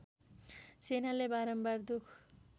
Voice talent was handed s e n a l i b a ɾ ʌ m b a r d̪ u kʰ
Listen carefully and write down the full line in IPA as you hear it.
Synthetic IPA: s e n a l e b a ɾ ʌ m b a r d̪ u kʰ